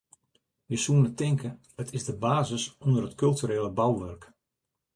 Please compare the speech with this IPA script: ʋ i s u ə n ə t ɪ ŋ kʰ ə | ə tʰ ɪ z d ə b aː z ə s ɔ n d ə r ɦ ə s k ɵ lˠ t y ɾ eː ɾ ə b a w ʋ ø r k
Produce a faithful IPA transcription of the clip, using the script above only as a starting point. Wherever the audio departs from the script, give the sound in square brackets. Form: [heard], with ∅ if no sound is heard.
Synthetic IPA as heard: ʋ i s u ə n ə t ɪ ŋ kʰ ə | ə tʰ ɪ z d ə b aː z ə s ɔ n d ə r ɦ ə [t] k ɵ lˠ t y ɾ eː [l] ə b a w ʋ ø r k